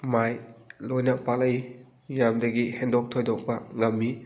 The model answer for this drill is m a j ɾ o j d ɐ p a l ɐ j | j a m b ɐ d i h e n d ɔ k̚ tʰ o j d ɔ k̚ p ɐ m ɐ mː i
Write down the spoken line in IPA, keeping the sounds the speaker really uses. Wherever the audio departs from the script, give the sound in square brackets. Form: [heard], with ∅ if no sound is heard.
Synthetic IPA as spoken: m a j [l] o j [n] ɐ p a l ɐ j | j a m [d] ɐ [ɡ] i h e n d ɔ k̚ tʰ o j d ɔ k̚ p ɐ [ŋ] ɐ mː i